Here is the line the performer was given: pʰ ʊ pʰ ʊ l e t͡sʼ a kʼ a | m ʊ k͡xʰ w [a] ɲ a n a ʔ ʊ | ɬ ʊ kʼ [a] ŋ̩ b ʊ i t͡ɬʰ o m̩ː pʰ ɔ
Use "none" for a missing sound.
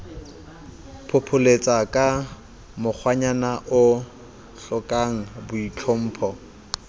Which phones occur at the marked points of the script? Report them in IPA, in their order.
a, a

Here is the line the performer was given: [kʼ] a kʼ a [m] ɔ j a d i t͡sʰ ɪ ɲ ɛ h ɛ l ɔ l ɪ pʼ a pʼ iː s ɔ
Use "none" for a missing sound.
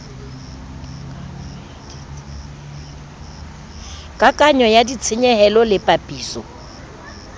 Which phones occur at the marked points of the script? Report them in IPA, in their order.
kʼ, ɲ

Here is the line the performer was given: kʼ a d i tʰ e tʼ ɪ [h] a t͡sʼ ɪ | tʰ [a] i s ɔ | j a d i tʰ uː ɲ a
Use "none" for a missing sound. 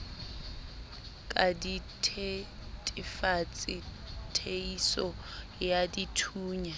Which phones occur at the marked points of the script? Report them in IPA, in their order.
f, e

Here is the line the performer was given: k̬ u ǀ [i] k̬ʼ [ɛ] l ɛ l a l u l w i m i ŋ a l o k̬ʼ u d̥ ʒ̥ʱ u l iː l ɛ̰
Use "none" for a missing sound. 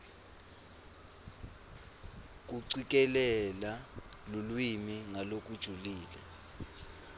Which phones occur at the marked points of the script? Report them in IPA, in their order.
i, ɛ

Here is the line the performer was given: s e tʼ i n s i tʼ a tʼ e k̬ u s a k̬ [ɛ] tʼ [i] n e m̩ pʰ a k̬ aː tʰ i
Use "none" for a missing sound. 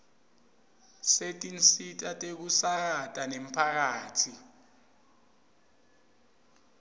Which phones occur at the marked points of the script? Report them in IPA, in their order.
a, a

